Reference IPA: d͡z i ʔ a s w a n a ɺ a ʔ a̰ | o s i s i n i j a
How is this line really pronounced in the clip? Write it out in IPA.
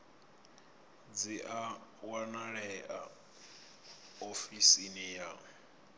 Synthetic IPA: d͡z i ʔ a w a n a ɺ ɛ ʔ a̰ | o f i s i n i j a